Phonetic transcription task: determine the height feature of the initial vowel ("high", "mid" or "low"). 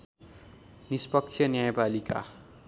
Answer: high